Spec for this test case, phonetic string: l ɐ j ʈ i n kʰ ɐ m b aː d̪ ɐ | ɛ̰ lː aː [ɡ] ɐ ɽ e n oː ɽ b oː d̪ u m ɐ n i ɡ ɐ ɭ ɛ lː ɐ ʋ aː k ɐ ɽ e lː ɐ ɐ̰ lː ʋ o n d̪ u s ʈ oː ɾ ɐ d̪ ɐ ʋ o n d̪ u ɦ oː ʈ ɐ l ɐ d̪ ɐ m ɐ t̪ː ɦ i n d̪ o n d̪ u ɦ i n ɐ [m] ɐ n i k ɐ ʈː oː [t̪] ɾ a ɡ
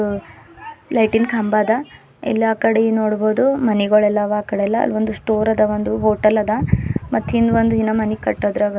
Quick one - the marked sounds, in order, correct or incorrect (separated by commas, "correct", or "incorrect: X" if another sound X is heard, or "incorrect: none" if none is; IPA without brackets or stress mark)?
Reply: incorrect: k, correct, incorrect: d̪